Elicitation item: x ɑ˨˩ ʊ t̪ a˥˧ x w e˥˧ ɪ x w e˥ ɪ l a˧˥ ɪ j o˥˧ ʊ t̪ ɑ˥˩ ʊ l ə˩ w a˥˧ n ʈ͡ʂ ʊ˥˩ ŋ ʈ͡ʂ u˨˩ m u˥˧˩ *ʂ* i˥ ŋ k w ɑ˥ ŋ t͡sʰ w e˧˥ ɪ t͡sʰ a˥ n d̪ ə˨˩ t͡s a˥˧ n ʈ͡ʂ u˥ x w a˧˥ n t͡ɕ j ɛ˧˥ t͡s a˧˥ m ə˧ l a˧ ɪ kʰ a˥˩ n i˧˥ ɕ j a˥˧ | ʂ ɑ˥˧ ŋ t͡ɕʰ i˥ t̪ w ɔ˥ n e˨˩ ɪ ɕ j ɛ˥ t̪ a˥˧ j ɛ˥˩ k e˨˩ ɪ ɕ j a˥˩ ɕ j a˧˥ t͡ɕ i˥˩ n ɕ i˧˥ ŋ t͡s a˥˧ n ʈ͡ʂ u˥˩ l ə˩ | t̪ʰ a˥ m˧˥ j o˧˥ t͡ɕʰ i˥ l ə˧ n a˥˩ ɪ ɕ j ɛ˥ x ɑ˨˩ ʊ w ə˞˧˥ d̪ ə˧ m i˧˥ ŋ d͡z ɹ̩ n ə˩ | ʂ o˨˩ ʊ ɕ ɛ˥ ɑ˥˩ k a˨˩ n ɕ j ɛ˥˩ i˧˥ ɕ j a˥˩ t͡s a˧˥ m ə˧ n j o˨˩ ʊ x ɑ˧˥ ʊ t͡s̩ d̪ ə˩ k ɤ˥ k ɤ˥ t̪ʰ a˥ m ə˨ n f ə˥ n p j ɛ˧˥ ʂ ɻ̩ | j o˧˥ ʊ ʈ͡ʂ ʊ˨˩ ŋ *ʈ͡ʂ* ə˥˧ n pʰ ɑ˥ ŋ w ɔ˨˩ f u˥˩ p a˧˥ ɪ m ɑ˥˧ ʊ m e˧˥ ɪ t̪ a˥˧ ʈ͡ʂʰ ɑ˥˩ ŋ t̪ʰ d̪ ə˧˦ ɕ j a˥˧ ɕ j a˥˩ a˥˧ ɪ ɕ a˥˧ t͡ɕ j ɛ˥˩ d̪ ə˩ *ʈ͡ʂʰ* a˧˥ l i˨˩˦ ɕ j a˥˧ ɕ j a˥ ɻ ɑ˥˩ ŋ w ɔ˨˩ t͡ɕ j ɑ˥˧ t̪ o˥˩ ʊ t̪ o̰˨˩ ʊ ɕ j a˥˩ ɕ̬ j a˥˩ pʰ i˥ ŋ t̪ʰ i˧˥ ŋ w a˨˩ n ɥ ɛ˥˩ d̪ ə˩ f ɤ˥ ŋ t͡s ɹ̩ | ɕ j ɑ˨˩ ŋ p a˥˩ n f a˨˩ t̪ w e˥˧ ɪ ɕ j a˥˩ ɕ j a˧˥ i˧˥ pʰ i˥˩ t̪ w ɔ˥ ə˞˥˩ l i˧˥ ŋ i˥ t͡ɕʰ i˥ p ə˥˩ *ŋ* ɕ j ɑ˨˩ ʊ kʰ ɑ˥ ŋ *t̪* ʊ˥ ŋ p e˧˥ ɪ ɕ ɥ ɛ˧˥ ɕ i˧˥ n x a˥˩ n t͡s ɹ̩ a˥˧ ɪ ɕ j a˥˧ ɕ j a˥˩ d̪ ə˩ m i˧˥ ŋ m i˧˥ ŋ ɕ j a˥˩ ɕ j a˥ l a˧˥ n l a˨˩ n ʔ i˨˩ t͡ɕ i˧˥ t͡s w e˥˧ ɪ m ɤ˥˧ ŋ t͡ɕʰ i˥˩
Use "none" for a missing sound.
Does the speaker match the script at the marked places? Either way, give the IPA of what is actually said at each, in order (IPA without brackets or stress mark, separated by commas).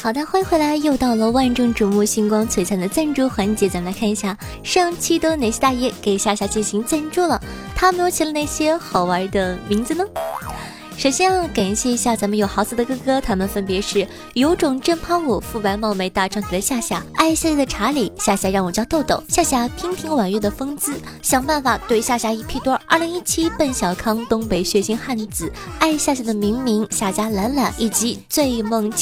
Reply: ɕ, ʈ͡ʂ, ʈ͡ʂʰ, n, t̪